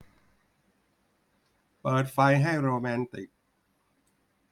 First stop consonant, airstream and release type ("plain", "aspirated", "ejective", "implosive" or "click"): plain